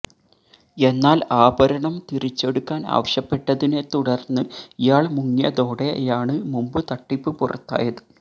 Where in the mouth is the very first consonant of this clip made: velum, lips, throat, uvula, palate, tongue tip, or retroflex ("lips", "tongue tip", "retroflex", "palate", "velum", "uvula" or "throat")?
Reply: tongue tip